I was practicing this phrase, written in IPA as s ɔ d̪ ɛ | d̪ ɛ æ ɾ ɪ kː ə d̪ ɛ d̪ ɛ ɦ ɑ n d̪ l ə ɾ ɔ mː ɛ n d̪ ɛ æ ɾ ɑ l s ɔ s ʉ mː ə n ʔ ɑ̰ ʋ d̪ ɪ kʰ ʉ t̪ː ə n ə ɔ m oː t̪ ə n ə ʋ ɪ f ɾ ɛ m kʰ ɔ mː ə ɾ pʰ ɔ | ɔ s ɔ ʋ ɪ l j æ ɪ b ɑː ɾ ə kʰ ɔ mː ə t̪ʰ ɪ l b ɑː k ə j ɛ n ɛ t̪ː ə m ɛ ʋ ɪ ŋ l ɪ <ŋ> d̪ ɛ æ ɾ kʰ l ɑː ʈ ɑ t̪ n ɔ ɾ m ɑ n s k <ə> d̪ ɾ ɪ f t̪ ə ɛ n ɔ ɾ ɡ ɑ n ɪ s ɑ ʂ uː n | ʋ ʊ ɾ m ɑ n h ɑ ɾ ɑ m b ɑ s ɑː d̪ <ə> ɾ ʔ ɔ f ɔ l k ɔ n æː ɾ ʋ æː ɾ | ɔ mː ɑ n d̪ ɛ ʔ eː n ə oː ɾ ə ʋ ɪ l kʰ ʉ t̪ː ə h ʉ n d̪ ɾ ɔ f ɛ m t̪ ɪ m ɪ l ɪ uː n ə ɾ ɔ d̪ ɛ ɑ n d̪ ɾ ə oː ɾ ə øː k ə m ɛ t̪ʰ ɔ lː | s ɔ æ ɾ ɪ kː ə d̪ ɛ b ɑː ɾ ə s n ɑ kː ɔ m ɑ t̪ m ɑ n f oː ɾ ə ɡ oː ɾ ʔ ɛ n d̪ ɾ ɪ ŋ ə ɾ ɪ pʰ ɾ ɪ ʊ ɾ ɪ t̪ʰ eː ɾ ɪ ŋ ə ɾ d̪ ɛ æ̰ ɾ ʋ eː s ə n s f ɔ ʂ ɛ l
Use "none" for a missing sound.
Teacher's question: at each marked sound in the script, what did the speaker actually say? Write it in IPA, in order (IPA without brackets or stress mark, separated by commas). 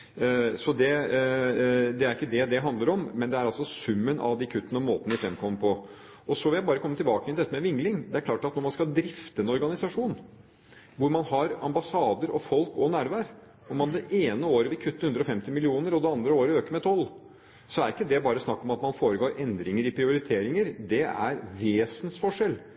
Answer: ŋ, ɑ, ə